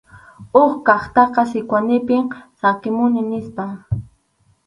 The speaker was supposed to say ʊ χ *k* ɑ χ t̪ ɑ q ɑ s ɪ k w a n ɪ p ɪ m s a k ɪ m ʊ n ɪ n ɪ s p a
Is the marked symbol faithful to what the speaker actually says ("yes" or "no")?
yes